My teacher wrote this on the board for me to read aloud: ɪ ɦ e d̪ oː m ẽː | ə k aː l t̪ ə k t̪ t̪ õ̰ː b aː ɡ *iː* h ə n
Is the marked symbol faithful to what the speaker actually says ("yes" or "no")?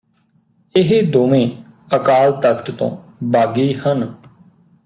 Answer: yes